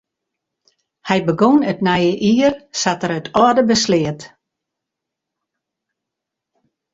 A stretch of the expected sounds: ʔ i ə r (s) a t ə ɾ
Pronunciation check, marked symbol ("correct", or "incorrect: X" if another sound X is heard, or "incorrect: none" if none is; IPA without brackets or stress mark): correct